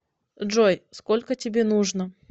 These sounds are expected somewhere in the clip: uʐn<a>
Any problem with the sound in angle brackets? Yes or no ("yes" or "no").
yes